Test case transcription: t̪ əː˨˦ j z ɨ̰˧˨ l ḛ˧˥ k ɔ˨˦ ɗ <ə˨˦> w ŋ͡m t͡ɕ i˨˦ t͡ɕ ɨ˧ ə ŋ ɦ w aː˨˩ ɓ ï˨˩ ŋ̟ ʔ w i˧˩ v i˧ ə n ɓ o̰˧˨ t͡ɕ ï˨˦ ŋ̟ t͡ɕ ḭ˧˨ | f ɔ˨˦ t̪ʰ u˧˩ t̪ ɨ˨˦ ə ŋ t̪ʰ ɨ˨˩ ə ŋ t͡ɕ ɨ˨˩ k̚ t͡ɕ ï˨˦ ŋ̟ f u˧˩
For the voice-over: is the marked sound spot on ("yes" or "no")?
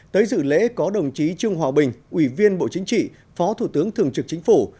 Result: no